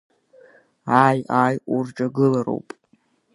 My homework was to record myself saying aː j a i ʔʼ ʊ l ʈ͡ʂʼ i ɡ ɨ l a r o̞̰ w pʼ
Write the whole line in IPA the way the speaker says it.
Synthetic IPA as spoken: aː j a j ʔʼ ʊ r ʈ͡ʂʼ a ɡ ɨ l a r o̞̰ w pʼ